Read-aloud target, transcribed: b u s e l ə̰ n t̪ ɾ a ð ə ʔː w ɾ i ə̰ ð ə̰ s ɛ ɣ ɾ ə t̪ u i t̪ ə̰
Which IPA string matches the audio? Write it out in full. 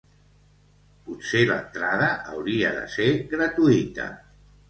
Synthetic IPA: p u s e l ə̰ n t̪ ɾ a ð ə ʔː w ɾ i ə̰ ð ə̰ s e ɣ ɾ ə t̪ u i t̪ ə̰